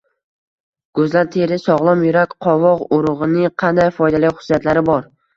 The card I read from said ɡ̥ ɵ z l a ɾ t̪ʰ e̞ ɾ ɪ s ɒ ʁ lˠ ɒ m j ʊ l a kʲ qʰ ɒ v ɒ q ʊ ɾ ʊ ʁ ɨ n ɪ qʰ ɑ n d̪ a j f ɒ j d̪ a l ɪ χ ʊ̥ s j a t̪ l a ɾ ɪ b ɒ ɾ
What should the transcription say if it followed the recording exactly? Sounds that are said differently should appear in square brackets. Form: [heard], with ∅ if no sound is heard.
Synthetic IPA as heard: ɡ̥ ɵ z l a ɾ t̪ʰ e̞ ɾ ɪ s ɒ ʁ lˠ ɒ m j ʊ [ɾ] a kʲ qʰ ɒ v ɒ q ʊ ɾ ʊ ʁ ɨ n ɪ qʰ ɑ n d̪ a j f ɒ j d̪ a l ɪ χ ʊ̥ s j a t̪ l a ɾ ɪ b ɒ ɾ